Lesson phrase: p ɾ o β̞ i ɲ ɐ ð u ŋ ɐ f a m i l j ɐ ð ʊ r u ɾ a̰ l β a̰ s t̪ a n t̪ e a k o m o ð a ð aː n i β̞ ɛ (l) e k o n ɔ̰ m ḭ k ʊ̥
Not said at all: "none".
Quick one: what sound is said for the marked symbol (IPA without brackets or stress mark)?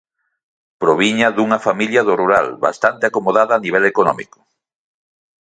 l